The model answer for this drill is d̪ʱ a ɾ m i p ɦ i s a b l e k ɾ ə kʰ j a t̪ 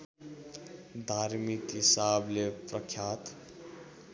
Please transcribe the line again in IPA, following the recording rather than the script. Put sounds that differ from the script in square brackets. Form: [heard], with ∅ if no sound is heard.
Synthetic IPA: d̪ʱ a ɾ m i [k] ɦ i s a b l e [p] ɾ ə kʰ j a t̪